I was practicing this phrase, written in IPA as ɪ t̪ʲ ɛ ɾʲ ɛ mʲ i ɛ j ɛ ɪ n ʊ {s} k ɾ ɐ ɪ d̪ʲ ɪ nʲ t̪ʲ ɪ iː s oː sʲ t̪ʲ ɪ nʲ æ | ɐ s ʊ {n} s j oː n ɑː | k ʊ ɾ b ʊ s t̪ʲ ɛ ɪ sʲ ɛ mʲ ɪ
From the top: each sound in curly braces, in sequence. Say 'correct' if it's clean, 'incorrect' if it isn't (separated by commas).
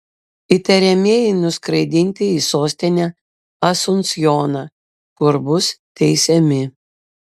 correct, correct